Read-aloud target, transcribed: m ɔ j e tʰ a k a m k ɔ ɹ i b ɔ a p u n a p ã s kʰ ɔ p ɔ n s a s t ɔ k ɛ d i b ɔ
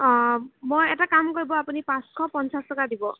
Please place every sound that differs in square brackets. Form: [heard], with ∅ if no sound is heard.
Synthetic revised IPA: m [o] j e [t] a k a m k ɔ ɹ i b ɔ a p u n [i] p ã s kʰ ɔ p ɔ n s a s t ɔ k [a] d i b ɔ